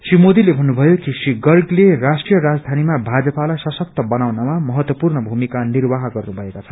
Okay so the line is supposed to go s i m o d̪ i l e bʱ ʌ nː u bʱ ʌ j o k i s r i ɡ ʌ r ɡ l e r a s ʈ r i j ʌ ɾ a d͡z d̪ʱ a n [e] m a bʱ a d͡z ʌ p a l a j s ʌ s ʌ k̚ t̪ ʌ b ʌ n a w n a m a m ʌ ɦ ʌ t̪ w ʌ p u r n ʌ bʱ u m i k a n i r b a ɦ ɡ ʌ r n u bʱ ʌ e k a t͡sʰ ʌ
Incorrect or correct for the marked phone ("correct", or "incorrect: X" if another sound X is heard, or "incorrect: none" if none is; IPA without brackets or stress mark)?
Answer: incorrect: i